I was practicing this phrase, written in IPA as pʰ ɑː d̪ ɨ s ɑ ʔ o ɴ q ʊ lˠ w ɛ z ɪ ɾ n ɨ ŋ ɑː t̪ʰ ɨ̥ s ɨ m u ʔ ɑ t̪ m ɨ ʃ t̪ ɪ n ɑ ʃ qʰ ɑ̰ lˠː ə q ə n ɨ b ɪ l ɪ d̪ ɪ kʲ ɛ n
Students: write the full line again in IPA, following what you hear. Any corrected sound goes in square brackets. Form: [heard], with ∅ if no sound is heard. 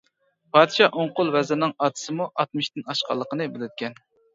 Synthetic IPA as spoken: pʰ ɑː d̪ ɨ [ʃ] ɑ ʔ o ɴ q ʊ lˠ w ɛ z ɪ ɾ n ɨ ŋ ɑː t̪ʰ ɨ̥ s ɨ m u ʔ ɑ t̪ m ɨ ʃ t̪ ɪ n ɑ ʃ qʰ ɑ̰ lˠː ə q ə n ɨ b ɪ l ɪ d̪ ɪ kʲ ɛ n